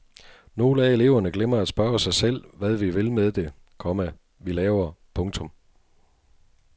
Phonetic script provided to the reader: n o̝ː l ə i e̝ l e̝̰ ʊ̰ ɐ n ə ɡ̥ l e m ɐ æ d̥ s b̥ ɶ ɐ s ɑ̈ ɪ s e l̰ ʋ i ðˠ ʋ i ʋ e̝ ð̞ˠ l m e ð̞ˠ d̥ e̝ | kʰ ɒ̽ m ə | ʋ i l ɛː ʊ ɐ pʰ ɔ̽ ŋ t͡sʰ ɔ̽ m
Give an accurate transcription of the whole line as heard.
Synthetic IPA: n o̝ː l ə æ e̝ l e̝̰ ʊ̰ ɐ n ə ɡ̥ l e m ɐ æ d̥ s b̥ ɶ ɐ s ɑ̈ ɪ s e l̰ ʋ æ ðˠ ʋ i ʋ e̝ l m e ð̞ˠ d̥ e̝ | kʰ ɒ̽ m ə | ʋ i l ɛː ʊ ɐ pʰ ɔ̽ ŋ t͡sʰ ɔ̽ m